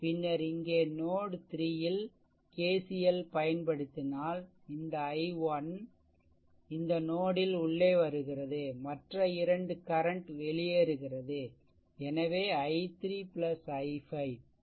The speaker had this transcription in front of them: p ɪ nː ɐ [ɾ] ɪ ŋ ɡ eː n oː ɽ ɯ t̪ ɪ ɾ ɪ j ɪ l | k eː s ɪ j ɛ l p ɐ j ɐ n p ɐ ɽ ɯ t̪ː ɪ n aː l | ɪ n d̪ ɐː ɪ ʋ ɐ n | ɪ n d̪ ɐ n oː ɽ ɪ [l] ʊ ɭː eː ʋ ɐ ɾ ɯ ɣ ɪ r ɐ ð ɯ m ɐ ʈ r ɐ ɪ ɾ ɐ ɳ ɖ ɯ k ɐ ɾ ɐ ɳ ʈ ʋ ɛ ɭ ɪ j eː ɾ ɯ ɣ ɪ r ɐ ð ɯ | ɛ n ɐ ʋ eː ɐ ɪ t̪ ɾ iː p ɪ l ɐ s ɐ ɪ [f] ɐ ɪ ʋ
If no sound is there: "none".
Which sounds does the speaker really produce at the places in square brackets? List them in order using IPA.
ɾ, l, f

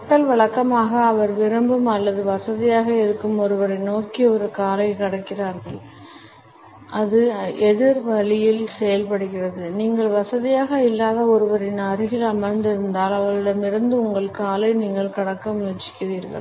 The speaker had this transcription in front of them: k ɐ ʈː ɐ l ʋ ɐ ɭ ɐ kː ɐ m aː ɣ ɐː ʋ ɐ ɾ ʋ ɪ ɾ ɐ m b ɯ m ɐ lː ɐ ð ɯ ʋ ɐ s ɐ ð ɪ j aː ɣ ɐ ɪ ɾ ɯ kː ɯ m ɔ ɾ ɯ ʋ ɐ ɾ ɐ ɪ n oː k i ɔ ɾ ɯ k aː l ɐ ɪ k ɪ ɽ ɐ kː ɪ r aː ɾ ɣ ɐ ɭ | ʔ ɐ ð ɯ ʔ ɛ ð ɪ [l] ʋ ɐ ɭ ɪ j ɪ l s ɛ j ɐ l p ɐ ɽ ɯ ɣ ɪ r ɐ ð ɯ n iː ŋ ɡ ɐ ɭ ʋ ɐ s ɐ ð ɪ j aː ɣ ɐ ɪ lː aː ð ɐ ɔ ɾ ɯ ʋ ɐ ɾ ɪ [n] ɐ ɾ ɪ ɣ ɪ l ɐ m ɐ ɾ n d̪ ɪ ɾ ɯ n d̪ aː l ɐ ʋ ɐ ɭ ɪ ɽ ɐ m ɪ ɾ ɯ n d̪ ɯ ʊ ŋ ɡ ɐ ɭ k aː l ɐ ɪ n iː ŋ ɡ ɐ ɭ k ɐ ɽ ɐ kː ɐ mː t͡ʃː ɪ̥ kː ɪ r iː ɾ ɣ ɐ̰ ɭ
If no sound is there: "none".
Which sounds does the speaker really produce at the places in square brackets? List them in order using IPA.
ɾ, n

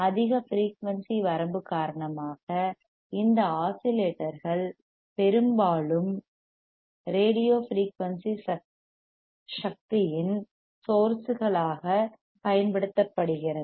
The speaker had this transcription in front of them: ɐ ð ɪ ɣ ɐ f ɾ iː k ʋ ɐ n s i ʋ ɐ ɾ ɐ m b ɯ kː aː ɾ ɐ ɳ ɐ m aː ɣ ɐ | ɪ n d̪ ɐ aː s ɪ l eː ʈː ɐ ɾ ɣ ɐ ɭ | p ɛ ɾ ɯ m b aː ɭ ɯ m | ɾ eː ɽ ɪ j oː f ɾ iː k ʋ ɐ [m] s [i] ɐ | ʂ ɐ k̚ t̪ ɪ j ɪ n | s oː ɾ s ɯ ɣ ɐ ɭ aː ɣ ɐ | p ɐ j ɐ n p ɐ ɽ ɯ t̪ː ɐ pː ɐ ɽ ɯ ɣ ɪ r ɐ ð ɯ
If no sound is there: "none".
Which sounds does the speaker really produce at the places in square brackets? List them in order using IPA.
n, i

